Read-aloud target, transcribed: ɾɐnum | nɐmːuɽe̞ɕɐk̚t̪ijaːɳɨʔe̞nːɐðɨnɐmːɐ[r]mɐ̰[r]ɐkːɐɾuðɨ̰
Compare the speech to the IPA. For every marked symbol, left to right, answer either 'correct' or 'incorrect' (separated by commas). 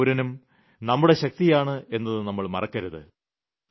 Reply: incorrect, correct